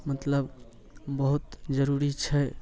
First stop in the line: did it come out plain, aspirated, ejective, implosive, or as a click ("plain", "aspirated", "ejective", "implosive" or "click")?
plain